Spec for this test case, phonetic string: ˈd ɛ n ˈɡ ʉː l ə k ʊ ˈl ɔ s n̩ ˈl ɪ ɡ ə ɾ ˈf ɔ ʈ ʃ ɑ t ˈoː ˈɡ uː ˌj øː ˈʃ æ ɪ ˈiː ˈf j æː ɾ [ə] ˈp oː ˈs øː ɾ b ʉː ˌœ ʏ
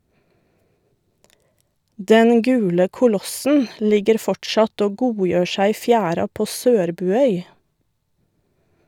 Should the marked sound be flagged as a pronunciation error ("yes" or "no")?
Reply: yes